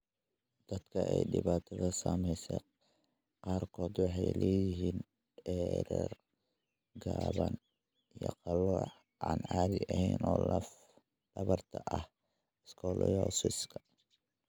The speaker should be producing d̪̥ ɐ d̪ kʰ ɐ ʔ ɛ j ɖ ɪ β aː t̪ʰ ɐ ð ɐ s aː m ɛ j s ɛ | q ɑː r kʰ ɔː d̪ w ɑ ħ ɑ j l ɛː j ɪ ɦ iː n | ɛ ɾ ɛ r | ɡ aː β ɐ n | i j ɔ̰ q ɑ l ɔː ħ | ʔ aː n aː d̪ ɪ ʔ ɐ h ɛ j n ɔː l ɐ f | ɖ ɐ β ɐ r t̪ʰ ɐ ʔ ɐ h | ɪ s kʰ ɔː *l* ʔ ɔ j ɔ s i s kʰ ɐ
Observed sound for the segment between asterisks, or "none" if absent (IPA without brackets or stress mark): l